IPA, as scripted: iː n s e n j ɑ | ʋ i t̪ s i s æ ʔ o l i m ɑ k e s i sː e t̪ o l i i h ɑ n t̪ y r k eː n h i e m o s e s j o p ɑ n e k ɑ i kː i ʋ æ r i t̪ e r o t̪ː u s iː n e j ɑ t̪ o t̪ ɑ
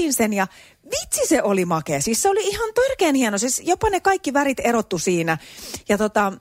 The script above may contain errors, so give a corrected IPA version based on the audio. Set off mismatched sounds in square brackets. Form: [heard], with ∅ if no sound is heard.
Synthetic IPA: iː n s e n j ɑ | ʋ i t̪ s i s [e] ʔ o l i m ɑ k e s i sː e [∅] o l i i h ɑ n t̪ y r k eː n h i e [n] o s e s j o p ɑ n e k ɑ i kː i ʋ æ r i t̪ e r o t̪ː u s iː n [æ] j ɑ t̪ o t̪ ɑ